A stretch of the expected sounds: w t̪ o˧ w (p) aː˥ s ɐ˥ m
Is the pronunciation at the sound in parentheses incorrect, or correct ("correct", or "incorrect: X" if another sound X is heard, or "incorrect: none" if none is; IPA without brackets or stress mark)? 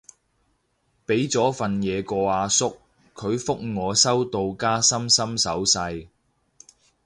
incorrect: k